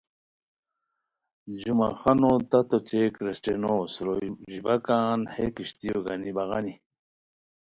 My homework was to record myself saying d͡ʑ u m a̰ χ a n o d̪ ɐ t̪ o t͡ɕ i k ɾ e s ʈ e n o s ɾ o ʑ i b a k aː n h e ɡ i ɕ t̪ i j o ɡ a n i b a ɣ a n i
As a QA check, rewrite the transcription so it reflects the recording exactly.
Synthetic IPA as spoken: d͡ʑ u m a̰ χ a n o t̪ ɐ t̪ o t͡ɕ e k ɾ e s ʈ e n o s ɾ o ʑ i b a k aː n h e k i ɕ t̪ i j o ɡ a n i b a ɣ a n i